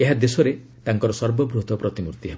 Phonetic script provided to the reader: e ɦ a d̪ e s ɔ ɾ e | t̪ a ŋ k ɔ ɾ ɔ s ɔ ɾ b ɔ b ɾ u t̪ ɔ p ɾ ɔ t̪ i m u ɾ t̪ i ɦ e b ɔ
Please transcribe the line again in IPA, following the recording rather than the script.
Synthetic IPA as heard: e ɦ a d̪ e s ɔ ɾ e | t̪ a ŋ k ɔ ɾ ɔ s ɔ ɾ b ɔ b ɾ u t̪ ɔ p ɾ ɔ t̪ i m u ɾ t̪ i ɦ e b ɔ